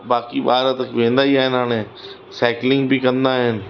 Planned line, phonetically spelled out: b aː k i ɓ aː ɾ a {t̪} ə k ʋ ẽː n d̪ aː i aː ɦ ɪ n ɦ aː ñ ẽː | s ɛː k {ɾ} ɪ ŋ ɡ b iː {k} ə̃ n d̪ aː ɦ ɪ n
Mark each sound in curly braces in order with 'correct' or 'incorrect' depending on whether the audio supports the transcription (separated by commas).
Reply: correct, incorrect, correct